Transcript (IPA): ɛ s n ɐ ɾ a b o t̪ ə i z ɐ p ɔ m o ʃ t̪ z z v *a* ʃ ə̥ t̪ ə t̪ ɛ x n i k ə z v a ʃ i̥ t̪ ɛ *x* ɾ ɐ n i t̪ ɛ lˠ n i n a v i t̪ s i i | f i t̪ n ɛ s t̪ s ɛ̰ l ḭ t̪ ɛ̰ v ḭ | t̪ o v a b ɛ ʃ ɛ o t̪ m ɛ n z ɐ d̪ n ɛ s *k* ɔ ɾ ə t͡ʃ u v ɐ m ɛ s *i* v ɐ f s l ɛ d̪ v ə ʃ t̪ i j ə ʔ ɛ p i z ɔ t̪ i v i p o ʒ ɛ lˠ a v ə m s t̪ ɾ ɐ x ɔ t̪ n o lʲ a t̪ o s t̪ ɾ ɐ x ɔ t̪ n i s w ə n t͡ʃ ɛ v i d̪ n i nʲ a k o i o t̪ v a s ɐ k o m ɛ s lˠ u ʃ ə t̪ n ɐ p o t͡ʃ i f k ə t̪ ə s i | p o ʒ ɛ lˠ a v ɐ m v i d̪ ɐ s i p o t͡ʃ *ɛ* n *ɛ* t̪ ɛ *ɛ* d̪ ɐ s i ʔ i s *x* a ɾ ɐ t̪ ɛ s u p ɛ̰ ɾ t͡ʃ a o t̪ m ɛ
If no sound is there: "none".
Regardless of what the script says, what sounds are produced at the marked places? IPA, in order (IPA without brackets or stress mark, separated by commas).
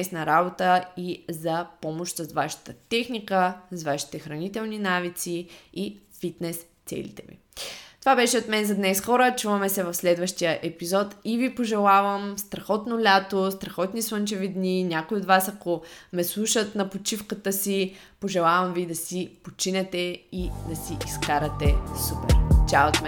a, x, x, ɛ, i, ɛ, i, k